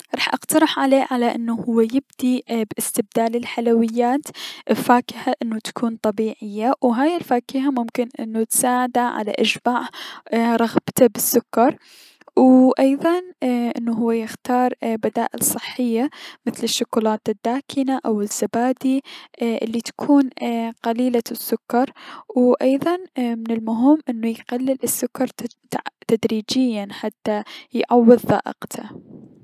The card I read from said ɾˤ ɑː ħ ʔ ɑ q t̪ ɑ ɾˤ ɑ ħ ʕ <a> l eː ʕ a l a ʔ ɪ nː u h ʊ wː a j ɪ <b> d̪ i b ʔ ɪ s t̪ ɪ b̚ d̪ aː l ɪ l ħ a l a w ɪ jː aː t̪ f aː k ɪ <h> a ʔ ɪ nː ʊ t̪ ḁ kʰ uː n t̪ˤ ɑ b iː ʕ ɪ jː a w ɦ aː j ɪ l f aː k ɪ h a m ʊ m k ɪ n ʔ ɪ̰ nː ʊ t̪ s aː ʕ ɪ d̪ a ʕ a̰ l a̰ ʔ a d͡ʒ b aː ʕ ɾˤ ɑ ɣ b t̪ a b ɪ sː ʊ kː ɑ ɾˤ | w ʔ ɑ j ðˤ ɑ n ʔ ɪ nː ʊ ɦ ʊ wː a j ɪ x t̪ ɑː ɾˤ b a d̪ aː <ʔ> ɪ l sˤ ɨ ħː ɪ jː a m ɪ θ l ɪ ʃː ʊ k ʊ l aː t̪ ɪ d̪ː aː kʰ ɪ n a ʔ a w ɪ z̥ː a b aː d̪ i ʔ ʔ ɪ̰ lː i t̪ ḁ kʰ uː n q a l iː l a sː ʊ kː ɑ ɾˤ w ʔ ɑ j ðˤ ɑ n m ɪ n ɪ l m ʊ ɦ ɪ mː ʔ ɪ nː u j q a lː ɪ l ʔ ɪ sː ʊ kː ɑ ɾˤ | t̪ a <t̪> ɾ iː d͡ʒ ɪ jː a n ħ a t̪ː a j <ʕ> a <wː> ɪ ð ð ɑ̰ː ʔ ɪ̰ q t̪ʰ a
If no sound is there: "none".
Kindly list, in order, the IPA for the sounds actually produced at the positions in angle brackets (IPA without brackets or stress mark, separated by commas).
a, b, h, ʔ, d̪, ʕ, wː